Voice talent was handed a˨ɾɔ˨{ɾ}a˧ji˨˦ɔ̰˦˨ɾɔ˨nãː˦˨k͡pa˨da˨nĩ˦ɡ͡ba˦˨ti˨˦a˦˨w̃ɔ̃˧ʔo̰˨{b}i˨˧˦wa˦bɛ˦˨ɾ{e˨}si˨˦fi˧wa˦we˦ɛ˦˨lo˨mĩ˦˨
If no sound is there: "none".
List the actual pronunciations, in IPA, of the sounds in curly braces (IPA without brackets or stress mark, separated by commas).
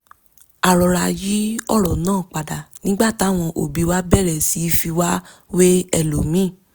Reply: ɾ, b, ɛ˨